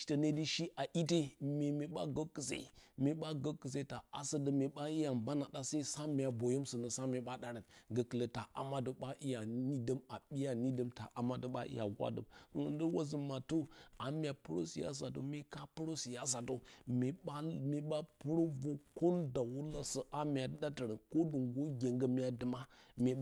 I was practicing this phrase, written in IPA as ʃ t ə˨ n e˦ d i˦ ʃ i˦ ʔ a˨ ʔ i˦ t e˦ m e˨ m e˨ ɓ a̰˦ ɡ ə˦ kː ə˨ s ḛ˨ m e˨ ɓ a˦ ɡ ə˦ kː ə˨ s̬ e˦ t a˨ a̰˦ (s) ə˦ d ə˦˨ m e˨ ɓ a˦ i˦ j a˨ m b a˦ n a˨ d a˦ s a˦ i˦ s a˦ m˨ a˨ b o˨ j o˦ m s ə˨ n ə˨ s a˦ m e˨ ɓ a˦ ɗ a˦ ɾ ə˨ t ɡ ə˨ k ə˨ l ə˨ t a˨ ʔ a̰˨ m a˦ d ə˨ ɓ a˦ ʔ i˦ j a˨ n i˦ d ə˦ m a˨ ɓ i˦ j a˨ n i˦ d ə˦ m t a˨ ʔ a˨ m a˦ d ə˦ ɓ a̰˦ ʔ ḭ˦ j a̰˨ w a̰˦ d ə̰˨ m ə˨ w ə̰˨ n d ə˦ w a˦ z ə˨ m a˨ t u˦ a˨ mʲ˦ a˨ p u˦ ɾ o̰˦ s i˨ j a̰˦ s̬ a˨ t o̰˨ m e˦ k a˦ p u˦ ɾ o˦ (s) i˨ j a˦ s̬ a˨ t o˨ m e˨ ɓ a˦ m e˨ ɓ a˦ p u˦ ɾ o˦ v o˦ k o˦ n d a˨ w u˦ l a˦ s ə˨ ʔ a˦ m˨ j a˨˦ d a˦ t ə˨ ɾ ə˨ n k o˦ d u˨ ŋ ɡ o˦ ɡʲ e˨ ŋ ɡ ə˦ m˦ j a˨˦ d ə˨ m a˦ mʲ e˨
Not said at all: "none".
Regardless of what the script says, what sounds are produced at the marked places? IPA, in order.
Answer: s, s

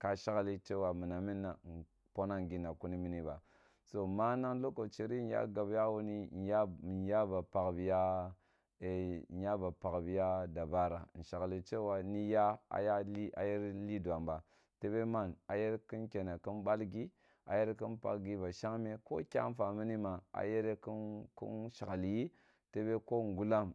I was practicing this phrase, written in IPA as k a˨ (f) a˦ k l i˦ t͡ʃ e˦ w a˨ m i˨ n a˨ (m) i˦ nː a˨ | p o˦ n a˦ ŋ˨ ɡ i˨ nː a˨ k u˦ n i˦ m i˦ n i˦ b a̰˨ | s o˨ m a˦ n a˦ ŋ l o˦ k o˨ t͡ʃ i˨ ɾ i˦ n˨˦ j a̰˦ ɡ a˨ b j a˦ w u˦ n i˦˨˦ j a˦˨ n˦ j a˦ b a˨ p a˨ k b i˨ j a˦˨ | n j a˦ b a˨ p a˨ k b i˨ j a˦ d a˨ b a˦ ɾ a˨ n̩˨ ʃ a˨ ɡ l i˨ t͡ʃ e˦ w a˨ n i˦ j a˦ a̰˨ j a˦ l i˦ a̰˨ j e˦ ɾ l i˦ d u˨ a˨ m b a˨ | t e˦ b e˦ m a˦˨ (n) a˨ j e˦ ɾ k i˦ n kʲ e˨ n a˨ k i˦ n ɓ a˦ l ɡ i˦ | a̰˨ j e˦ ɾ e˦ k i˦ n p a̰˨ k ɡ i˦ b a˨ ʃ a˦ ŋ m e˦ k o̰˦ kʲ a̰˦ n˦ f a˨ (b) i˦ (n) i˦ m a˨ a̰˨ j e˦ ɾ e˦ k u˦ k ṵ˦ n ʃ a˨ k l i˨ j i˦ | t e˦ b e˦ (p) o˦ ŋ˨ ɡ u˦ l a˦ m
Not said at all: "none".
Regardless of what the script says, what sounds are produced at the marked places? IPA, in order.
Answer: ʃ, m, n, m, n, k

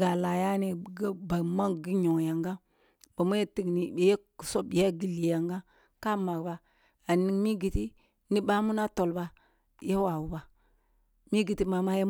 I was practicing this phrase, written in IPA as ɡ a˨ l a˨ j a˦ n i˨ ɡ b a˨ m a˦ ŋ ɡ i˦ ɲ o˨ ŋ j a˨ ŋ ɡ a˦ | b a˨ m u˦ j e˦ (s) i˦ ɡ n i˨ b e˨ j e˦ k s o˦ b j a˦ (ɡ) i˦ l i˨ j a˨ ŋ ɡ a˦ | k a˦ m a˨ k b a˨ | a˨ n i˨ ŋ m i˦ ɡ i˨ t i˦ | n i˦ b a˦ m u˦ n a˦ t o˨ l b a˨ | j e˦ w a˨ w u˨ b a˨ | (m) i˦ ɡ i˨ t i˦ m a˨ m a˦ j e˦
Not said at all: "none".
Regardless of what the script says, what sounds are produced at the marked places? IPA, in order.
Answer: t, ɡ, m

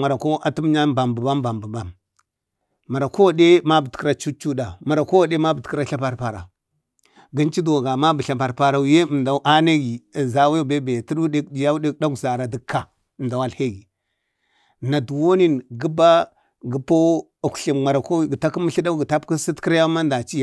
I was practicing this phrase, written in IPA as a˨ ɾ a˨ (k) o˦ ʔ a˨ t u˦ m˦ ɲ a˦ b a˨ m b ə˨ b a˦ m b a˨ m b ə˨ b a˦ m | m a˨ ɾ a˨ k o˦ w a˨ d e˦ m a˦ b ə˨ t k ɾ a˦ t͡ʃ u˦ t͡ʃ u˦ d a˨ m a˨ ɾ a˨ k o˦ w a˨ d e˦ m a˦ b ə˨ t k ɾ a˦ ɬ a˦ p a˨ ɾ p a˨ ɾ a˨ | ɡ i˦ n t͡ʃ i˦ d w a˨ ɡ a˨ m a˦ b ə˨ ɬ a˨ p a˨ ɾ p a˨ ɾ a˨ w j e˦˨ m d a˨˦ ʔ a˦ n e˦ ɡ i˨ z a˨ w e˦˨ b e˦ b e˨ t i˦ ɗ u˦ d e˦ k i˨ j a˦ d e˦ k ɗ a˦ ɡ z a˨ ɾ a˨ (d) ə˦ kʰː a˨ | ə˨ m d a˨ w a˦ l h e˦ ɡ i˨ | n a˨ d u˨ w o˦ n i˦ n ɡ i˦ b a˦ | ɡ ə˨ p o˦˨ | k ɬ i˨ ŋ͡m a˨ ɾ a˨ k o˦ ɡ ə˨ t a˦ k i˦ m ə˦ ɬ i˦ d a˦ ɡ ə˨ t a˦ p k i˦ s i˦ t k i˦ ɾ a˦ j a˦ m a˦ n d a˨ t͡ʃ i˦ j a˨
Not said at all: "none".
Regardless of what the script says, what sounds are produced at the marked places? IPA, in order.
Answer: k, d

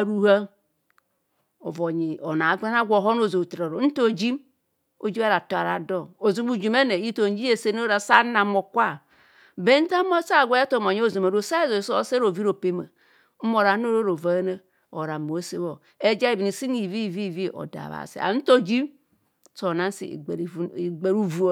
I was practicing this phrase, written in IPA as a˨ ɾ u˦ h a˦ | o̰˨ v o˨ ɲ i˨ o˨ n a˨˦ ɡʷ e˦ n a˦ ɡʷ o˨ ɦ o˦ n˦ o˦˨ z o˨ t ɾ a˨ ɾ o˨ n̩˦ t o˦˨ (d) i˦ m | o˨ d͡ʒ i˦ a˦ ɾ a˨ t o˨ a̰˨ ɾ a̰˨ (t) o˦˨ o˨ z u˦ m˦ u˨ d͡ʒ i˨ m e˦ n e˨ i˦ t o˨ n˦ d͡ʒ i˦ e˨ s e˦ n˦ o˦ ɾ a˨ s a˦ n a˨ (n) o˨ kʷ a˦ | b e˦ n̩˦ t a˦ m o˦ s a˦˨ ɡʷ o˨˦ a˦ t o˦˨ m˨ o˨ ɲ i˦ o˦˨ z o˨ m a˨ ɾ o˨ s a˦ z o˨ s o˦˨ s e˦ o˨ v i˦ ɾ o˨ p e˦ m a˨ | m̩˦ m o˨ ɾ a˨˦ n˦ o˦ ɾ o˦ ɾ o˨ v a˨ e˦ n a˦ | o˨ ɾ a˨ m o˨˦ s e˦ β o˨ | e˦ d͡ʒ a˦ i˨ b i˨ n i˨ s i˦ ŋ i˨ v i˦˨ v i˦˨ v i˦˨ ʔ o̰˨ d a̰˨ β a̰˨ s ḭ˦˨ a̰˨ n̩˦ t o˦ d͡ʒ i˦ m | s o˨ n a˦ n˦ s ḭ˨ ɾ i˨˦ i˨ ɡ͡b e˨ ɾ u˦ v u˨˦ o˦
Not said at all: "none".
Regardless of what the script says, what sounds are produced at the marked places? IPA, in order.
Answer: d͡ʒ, d, m

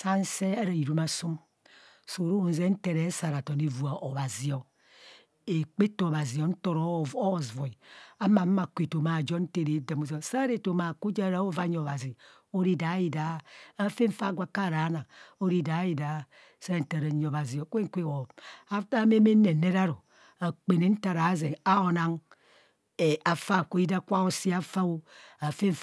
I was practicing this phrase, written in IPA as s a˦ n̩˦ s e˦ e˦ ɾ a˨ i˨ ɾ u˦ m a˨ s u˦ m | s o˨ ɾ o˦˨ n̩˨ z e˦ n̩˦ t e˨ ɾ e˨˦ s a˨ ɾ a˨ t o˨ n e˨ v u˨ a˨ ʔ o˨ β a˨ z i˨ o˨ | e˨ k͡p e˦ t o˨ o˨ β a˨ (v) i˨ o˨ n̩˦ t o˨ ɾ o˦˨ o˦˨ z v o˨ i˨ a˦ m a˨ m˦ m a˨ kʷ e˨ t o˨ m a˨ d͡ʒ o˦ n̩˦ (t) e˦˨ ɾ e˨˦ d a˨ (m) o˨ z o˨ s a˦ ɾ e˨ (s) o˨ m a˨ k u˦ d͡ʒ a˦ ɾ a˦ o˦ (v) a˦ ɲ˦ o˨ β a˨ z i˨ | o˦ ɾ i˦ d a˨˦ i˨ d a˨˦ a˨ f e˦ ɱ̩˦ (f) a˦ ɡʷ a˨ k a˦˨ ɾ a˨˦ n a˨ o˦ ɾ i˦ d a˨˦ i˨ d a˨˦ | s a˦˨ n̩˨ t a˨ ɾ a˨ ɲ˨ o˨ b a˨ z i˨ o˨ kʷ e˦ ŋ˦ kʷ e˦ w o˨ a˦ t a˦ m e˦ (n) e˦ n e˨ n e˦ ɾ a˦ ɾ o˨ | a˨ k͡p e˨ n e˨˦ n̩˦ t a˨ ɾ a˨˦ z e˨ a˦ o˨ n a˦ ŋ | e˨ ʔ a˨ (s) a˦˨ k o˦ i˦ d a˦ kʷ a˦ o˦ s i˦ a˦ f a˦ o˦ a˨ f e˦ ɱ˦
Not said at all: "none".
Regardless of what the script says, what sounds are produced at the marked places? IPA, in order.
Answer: z, t, m, t, v, f, m, f

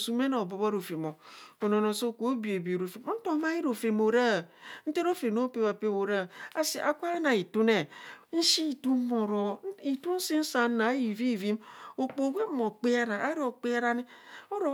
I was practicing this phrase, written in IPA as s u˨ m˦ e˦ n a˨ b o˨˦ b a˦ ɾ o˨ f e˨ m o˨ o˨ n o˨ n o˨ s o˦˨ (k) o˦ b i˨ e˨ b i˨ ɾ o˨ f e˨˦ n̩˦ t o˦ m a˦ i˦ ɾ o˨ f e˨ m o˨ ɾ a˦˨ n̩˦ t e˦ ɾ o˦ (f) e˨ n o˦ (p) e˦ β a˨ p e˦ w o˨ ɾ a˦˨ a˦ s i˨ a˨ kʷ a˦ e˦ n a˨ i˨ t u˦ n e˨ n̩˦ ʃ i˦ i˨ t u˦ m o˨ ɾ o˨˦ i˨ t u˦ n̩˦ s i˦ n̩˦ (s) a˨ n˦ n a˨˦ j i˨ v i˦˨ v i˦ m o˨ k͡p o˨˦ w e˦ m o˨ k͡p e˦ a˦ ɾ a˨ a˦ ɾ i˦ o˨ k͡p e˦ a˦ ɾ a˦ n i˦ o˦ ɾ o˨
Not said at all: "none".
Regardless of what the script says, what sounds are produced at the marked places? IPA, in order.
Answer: k, f, p, s

